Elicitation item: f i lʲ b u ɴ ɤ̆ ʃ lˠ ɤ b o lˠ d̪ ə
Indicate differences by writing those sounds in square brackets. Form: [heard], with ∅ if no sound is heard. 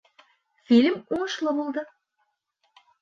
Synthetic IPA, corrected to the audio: f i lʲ [m] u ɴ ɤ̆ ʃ lˠ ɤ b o lˠ d̪ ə